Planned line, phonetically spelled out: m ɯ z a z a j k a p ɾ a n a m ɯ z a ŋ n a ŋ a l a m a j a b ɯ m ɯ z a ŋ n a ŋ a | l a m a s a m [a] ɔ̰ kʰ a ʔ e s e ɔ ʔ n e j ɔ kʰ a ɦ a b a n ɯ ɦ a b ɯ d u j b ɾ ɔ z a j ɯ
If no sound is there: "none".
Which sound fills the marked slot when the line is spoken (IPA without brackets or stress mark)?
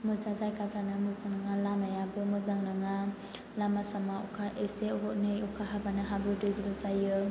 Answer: a